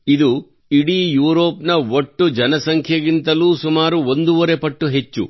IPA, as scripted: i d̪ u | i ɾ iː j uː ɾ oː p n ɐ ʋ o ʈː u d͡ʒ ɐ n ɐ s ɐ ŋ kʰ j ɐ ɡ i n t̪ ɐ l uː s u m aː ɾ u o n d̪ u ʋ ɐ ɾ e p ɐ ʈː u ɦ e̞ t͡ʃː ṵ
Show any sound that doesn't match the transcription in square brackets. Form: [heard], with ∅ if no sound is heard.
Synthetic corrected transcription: i d̪ u | i [ɽ] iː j uː ɾ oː p n ɐ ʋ o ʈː u d͡ʒ ɐ n ɐ s ɐ ŋ kʰ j ɐ ɡ i n t̪ ɐ l uː s u m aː ɾ u o n d̪ u ʋ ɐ ɾ e p ɐ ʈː u ɦ e̞ t͡ʃː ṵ